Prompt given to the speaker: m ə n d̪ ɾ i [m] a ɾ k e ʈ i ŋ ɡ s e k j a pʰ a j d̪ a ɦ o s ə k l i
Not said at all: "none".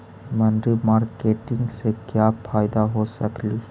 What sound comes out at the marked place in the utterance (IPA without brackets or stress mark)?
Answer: m